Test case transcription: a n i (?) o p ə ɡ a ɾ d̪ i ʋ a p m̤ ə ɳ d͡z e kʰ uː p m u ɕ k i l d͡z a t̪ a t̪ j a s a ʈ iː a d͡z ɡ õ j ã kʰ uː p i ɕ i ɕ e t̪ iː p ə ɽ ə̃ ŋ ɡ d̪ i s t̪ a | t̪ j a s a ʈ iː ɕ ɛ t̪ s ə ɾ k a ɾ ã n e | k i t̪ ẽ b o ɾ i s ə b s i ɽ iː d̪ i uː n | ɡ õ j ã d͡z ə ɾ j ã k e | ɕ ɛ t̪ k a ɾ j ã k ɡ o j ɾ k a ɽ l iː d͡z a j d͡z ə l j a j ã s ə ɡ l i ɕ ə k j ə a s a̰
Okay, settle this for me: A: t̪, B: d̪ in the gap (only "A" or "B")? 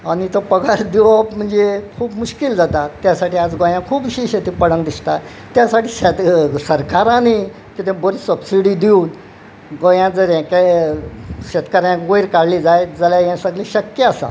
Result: A